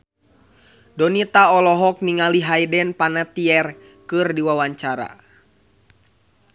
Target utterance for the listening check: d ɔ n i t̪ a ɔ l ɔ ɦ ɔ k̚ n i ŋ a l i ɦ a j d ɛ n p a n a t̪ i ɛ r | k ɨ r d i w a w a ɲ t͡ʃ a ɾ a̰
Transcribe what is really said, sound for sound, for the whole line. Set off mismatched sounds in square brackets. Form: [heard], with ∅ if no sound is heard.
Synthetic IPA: d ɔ n i t̪ a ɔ l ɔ ɦ ɔ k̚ n i ŋ a l i ɦ a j d ɛ n p a n a t̪ i ɛ r | k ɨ r d i w a w a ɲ t͡ʃ a ɾ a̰